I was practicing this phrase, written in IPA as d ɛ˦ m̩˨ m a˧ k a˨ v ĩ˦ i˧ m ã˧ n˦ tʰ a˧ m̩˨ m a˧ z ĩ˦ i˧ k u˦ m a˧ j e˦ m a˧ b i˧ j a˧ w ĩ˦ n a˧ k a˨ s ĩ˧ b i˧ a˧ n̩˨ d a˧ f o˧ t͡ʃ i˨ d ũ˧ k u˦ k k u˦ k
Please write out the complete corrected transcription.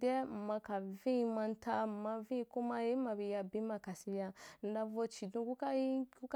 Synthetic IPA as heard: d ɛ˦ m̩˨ m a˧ k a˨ v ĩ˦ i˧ m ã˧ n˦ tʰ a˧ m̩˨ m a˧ v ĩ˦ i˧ k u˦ m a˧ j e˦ m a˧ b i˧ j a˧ b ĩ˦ m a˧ k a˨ s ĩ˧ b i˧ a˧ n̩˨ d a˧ v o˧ t͡ʃ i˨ d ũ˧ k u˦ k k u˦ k